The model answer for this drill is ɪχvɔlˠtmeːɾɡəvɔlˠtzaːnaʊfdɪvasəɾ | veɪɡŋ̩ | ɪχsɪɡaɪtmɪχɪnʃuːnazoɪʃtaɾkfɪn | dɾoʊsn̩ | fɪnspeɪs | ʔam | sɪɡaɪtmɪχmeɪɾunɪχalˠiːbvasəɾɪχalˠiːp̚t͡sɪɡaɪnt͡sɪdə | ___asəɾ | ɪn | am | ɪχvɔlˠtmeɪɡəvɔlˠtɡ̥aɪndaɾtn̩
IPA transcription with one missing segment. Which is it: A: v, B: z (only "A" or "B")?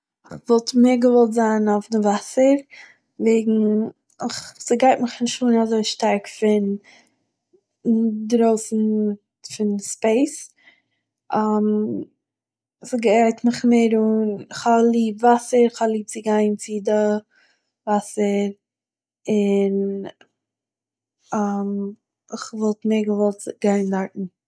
A